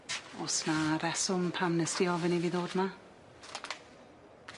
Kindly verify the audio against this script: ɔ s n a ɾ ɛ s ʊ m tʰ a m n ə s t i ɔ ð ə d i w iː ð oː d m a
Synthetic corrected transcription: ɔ s n a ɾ ɛ s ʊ m pʰ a m n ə s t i ɔ v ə n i v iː ð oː d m a

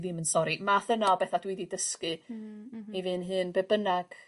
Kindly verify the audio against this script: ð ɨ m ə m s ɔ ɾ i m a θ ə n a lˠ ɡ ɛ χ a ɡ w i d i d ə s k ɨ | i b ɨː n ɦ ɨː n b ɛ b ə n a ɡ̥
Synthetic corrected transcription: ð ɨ m ə n s ɔ ɾ i m a θ ə n a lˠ b ɛ θ a d w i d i d ə s k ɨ | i v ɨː n ɦ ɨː n b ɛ b ə n a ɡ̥

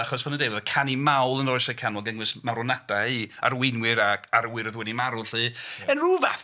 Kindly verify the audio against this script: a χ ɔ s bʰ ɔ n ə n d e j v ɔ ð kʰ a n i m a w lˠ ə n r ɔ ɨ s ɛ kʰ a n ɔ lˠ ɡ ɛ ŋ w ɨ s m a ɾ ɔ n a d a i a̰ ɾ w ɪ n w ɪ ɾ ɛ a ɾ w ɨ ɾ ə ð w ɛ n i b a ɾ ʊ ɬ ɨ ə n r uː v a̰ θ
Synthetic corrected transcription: a χ ɔ s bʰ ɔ n ə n d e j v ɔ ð kʰ a n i m a w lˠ ə n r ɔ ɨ s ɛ kʰ a n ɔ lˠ ɡ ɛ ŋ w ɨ s m a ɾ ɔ n a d a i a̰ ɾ w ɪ n w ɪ ɾ a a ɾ w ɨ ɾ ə ð w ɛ n i m a ɾ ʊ ɬ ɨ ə n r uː v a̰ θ

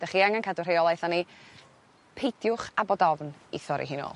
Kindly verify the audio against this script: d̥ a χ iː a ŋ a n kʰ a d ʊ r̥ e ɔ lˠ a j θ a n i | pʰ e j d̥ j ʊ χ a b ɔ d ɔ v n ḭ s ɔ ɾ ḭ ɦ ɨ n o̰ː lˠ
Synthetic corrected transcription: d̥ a χ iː a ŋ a n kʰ a d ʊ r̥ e ɔ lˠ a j θ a n i | pʰ e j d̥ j ʊ χ a b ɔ d ɔ v n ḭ θ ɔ ɾ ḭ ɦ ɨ n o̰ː lˠ

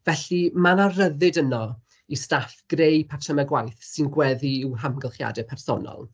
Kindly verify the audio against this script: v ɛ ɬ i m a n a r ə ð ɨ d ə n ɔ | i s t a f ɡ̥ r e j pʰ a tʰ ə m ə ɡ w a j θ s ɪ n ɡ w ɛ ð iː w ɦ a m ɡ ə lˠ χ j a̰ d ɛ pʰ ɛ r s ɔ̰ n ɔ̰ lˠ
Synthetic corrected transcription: v ɛ ɬ i m a n a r ə ð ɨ d ə n ɔ | i s t a f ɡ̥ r e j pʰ a tʰ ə m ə ɡ w a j θ s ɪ n ɡ w ɛ ð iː w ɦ a m ɡ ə lˠ χ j a̰ d ɛ pʰ ɛ r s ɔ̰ n ɔ̰ lˠ

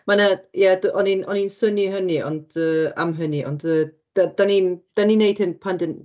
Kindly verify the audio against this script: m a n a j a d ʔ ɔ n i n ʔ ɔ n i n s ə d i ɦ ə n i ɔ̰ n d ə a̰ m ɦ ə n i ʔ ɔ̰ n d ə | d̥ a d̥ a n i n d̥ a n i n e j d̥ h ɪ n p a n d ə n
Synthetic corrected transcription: m a n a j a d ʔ ɔ n i n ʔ ɔ n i n s ə n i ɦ ə n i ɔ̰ n d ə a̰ m ɦ ə n i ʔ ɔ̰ n d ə | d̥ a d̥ a n i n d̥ a n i n e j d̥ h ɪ n pʰ a n d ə n

